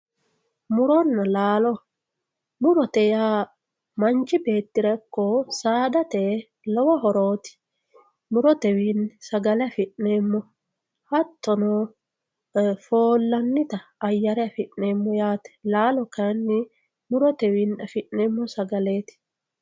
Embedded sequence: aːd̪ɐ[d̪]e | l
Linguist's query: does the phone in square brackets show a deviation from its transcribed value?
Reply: yes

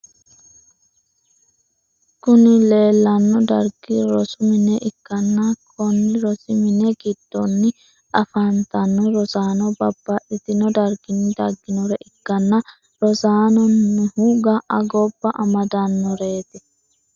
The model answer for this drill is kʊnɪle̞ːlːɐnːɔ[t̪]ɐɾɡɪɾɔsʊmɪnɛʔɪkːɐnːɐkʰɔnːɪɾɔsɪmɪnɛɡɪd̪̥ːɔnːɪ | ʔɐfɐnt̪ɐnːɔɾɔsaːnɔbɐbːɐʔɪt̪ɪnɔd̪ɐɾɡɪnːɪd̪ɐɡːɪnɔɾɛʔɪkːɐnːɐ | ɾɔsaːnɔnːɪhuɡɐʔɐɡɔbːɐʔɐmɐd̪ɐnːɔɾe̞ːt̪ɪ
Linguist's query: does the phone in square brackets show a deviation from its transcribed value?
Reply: yes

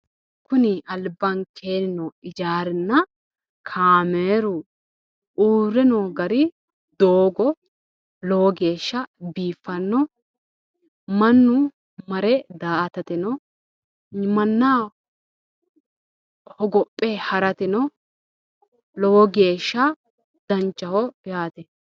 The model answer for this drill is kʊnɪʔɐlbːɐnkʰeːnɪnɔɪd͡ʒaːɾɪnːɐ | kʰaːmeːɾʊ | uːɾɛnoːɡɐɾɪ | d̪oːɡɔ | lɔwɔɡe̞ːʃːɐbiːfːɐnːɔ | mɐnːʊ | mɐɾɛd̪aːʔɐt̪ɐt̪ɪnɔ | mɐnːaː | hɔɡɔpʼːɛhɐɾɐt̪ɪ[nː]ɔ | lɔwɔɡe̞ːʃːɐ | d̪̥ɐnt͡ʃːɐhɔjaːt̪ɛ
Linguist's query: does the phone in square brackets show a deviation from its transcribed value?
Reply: yes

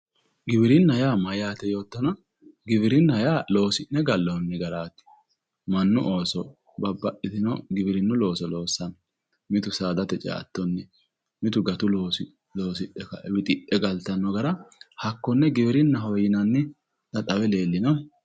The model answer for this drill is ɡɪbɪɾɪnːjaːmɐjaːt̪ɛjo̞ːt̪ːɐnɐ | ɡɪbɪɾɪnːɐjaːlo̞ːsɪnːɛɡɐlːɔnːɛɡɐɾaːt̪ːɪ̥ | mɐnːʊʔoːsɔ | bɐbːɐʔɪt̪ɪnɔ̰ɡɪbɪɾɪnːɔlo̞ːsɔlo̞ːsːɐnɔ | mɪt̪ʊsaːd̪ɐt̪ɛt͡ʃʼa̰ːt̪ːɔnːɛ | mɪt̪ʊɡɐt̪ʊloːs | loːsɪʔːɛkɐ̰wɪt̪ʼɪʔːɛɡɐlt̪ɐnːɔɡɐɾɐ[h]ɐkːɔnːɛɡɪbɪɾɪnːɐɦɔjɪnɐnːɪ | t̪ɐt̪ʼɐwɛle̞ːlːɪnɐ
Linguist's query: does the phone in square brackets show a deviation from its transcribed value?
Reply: no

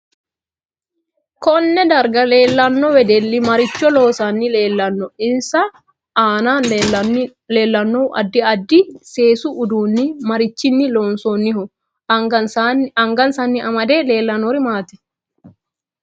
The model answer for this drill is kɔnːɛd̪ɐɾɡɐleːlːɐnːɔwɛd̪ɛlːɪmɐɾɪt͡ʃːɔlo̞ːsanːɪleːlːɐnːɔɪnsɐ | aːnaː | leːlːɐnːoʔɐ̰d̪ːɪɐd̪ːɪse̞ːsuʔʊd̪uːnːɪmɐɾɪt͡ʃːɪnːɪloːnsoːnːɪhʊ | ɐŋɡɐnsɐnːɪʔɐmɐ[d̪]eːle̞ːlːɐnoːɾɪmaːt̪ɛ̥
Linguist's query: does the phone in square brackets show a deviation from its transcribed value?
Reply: no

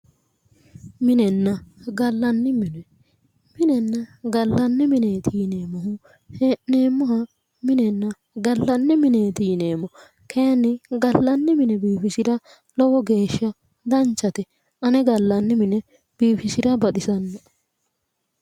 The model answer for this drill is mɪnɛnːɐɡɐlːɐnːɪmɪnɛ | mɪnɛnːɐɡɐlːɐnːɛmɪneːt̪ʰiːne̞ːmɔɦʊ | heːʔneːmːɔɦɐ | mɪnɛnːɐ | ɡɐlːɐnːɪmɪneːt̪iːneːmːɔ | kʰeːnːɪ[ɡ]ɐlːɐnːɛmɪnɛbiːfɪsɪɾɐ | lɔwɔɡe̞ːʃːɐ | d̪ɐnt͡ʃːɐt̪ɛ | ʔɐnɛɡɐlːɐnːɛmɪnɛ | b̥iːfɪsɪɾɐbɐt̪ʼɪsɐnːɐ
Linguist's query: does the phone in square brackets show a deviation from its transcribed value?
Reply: no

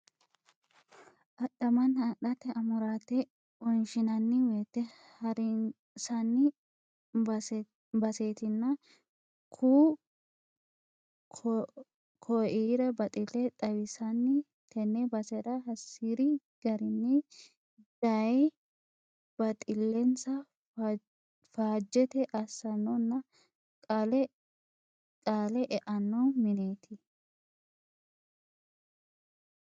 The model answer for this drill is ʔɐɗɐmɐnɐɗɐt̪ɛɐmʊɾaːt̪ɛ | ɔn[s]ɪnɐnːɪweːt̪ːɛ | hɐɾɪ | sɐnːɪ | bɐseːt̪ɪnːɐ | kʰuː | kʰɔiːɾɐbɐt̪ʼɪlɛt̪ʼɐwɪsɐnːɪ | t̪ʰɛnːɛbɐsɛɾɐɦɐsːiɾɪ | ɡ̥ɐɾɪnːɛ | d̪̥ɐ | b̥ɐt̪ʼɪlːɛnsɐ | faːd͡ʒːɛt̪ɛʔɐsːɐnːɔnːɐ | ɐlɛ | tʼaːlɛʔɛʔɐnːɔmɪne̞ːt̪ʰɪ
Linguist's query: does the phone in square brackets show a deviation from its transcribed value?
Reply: yes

